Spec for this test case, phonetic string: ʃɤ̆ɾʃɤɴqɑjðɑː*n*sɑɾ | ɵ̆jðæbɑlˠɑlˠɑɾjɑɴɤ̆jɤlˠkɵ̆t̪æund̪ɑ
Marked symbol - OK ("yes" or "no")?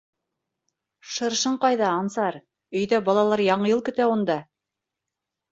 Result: yes